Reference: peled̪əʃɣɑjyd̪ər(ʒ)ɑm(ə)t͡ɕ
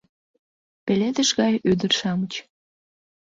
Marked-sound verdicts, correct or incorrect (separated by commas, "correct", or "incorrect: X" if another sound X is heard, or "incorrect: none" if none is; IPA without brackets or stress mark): incorrect: ʃ, correct